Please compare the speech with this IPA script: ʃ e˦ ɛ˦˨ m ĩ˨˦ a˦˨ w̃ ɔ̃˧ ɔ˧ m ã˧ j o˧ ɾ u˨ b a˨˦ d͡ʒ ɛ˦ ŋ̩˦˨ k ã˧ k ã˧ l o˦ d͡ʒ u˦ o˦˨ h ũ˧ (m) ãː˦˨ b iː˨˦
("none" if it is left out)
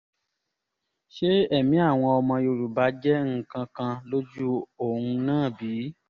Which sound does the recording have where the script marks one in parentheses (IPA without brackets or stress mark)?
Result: n